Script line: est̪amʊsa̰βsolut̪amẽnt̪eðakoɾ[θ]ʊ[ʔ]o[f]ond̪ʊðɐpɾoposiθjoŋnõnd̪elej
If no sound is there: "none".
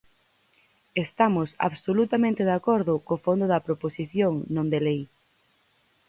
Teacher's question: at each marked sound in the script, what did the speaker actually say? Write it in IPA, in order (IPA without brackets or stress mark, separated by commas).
ð, k, f